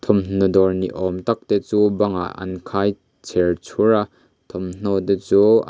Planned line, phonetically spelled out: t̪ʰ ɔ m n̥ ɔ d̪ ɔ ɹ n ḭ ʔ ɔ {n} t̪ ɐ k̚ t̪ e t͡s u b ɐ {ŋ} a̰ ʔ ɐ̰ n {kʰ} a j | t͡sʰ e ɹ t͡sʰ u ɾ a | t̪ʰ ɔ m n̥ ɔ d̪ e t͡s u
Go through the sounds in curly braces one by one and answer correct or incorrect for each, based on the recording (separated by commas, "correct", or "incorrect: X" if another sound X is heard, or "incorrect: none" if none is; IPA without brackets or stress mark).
incorrect: m, correct, correct